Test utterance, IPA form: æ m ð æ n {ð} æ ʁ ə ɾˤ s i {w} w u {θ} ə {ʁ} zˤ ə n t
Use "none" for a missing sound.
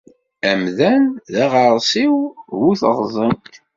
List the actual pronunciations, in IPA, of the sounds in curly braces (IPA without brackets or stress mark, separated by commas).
ð, w, θ, ʁ